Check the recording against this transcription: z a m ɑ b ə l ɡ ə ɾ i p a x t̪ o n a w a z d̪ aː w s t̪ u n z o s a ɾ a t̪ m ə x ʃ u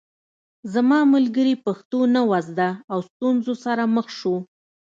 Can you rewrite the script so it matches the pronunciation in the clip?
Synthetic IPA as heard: z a m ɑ m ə l ɡ ə ɾ i p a x t̪ o n a w a z d̪ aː w s t̪ u n z o s a ɾ a m ə x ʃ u